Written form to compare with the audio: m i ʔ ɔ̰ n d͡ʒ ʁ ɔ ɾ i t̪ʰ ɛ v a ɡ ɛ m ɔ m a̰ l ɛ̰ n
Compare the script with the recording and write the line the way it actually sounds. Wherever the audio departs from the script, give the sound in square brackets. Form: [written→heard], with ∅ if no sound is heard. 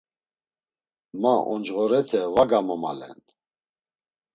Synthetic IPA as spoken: m [i→a] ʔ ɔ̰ n d͡ʒ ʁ ɔ ɾ [i→ɛ] t̪ʰ ɛ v a ɡ [ɛ→a] m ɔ m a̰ l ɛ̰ n